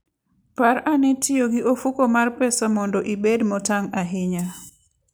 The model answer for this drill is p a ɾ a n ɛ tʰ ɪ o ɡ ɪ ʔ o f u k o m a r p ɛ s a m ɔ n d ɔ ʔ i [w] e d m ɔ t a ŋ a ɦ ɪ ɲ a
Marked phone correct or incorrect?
incorrect